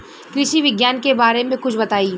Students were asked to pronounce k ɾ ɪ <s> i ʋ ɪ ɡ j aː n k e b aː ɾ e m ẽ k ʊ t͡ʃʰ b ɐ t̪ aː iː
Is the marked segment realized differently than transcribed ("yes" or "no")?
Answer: yes